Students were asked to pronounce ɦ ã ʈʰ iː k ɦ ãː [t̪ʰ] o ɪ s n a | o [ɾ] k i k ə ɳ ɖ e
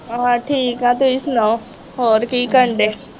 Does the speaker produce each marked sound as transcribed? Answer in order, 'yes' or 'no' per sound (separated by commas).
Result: no, yes